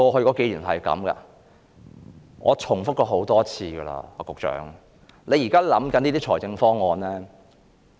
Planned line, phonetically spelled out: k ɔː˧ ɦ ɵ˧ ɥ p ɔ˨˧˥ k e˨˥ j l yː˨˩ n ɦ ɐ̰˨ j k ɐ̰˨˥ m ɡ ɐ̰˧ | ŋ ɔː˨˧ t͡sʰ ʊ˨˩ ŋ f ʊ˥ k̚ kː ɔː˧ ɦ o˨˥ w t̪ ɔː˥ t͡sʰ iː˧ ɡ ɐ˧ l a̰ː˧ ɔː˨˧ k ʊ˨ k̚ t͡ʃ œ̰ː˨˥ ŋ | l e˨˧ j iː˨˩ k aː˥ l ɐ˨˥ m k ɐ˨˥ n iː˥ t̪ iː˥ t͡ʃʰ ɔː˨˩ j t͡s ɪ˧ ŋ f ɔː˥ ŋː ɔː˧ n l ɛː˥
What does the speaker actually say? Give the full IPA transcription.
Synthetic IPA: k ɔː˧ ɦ ɵ˧ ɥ k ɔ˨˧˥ k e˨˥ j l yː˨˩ n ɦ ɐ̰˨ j k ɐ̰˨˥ m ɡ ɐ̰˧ | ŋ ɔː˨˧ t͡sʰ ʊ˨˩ ŋ f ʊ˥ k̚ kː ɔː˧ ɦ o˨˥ w t̪ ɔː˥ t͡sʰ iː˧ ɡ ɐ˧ l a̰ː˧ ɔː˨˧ k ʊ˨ k̚ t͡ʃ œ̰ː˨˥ ŋ | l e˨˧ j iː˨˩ k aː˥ l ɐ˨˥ m k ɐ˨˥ n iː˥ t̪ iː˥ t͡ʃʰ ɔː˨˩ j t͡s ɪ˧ ŋ f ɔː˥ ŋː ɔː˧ n l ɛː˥